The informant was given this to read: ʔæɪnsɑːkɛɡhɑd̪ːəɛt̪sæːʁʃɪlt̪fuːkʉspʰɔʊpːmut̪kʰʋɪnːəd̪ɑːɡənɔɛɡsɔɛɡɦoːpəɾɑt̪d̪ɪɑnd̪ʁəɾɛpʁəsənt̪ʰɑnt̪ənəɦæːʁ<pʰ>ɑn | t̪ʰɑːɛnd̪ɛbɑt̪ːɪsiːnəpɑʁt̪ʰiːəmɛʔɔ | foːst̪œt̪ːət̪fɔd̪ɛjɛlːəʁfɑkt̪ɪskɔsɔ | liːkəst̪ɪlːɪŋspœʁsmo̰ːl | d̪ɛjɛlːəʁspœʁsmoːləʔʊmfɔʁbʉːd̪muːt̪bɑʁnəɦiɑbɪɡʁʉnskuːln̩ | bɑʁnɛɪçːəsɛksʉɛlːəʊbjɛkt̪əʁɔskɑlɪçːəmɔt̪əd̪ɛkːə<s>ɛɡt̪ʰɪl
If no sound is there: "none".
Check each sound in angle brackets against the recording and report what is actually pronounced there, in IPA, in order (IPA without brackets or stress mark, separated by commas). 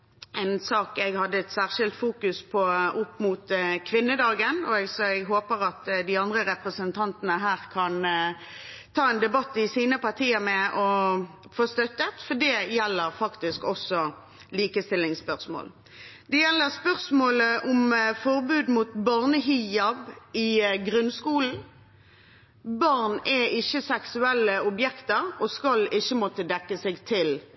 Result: kʰ, s